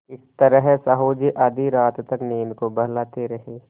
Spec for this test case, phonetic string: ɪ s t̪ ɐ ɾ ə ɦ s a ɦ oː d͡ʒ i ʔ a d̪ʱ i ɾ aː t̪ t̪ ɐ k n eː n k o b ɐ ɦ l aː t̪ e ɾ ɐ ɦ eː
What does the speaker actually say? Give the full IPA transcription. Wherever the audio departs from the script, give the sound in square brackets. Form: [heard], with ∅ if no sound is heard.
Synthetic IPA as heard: ɪ s t̪ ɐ ɾ ə ɦ s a ɦ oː d͡ʒ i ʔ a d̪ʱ i ɾ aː t̪ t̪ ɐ k n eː n k o b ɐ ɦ l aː t̪ e ɾ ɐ ɦ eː